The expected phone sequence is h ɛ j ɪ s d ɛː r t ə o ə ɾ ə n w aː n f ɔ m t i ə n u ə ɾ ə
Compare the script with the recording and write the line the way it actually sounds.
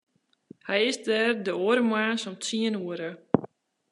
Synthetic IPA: h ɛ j ɪ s d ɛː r d ə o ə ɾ ə m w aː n s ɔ m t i ə n u ə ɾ ə